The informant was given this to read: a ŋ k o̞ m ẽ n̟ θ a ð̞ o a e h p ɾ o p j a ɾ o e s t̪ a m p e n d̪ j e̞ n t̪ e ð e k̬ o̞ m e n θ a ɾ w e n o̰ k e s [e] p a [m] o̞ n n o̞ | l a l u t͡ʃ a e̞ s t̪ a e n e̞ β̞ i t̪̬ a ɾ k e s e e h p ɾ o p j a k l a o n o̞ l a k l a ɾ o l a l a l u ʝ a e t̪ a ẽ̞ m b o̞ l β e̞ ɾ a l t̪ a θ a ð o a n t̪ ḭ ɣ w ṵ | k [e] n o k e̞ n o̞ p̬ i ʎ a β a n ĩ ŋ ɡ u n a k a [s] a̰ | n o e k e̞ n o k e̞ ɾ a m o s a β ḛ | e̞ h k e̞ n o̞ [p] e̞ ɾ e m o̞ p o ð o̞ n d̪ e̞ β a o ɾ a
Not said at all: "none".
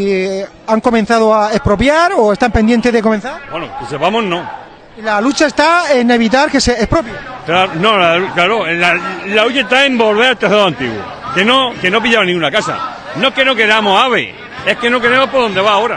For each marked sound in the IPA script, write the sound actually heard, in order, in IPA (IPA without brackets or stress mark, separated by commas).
e, m, e, s, k